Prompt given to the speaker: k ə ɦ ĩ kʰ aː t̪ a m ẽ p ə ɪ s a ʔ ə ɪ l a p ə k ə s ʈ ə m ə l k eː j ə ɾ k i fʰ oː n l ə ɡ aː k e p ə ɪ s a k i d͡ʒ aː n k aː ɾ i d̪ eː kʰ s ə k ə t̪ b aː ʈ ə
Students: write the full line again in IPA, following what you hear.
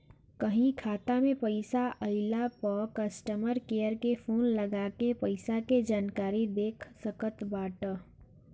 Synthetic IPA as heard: k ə ɦ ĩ kʰ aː t̪ a m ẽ p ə ɪ s a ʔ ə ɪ l a p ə k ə s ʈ ə m ə ɾ k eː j ə ɾ k e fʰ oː n l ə ɡ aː k e p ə ɪ s a k e d͡ʒ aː n k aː ɾ i d̪ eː kʰ s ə k ə t̪ b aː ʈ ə